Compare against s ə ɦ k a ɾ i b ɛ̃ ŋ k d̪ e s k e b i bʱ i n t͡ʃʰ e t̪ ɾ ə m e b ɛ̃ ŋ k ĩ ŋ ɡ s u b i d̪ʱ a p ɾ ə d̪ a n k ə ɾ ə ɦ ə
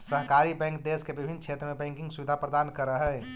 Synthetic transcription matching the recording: s ə ɦ k a ɾ i b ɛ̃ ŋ k d̪ e s k e b i bʱ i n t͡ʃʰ e t̪ ɾ ə m e b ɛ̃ ŋ k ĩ ŋ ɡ s u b i d̪ʱ a p ɾ ə d̪ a n k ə ɾ ə ɦ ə